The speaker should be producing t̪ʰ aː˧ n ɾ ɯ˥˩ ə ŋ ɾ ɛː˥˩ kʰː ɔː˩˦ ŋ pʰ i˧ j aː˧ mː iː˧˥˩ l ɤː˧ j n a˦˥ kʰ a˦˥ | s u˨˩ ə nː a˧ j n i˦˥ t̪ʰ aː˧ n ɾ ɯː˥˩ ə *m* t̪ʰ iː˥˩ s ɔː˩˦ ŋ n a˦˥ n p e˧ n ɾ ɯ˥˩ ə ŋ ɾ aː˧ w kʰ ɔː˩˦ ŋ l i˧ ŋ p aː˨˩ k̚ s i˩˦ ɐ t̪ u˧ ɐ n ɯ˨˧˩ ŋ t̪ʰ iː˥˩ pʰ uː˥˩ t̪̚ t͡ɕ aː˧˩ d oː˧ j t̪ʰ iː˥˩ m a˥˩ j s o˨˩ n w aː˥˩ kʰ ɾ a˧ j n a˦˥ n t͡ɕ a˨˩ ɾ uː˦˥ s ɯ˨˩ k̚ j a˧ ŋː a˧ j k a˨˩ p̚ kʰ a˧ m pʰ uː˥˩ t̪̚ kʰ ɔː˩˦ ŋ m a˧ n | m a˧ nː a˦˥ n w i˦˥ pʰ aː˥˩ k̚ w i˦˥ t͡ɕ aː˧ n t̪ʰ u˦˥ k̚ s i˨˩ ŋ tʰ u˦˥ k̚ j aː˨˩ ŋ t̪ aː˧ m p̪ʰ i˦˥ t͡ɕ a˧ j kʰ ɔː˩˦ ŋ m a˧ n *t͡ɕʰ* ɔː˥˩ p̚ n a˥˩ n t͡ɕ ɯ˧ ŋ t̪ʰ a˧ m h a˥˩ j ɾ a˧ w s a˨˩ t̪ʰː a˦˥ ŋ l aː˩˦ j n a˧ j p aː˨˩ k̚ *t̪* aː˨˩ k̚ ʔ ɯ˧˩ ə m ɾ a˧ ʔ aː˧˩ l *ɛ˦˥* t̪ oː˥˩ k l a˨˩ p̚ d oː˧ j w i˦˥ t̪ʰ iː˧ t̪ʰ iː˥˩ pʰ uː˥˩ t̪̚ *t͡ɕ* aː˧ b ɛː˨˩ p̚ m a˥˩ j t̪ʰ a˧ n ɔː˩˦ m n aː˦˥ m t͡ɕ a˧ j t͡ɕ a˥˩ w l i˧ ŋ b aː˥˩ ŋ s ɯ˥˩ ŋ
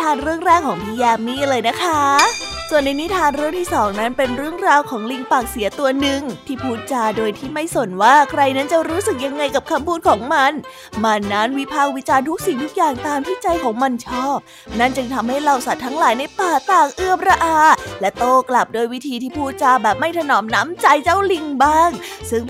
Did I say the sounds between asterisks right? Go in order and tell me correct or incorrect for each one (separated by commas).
incorrect, correct, correct, correct, correct